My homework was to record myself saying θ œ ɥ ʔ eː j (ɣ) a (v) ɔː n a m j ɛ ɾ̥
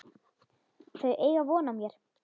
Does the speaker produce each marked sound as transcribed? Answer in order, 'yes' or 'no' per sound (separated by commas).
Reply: yes, yes